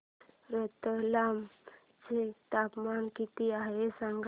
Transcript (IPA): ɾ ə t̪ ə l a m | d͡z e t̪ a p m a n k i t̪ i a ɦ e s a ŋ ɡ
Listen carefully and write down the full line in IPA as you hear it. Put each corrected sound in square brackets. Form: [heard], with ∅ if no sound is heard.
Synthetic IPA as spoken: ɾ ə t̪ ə l a m | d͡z e t̪ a p m a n k i t̪ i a ɦ e s a ŋ ɡ